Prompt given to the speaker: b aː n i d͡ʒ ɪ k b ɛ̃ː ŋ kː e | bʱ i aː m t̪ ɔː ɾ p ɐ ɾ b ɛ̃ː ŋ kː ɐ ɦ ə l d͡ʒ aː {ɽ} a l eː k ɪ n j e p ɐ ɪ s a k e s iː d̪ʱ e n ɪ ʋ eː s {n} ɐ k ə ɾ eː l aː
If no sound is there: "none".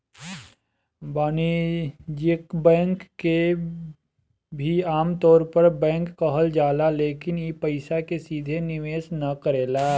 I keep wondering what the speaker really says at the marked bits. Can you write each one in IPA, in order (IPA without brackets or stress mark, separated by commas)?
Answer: l, n